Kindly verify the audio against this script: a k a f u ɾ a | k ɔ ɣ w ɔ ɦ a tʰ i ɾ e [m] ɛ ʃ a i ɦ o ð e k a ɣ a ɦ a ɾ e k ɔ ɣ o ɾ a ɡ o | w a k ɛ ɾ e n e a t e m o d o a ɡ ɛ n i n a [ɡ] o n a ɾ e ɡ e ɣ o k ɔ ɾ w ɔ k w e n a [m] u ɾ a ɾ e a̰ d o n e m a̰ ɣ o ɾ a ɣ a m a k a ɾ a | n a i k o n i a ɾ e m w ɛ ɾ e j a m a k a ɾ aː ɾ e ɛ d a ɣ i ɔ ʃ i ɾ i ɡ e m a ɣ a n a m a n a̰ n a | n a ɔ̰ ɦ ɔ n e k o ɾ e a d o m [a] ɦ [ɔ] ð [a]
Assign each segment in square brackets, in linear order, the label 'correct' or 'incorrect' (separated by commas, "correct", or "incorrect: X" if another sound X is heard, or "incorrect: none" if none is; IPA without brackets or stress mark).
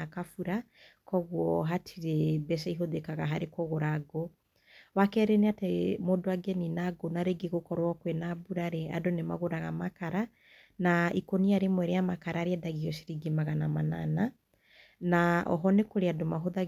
incorrect: b, correct, incorrect: b, correct, incorrect: o, correct